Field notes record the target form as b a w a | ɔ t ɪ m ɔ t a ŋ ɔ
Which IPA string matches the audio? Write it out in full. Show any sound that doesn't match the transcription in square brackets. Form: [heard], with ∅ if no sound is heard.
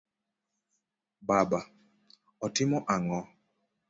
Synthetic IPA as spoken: b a [b] a | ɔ t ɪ m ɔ [ʔ] a ŋ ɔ